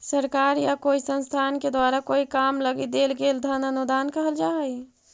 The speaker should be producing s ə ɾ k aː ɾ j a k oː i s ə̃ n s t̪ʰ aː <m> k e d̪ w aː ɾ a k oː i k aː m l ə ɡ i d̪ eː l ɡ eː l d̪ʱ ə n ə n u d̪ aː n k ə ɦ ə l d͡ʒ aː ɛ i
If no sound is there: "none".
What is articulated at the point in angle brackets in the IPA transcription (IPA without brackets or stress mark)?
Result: n